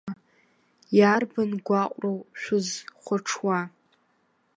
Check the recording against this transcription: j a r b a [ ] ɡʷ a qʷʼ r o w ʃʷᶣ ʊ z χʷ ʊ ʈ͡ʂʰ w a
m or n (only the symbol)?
n